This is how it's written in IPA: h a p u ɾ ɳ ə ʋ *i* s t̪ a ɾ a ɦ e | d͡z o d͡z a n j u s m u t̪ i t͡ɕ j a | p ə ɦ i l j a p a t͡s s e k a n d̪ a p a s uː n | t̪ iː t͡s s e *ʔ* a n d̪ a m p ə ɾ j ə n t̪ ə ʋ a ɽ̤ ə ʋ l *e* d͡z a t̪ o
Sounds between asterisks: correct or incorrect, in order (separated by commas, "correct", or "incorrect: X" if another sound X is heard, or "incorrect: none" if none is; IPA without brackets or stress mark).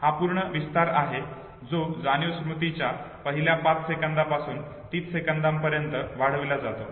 correct, incorrect: k, incorrect: a